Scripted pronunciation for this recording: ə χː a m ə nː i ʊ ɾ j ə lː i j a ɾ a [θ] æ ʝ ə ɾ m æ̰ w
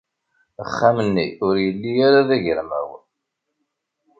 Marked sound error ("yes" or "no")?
yes